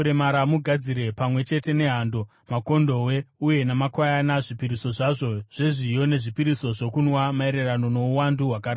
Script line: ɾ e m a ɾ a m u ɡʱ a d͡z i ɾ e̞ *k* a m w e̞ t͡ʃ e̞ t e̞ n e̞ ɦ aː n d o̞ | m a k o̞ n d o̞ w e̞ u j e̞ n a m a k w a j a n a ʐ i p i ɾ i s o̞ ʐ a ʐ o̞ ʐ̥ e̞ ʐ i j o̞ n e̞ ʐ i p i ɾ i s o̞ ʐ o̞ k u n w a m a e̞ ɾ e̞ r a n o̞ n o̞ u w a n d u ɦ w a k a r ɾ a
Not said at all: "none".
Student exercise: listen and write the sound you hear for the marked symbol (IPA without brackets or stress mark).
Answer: p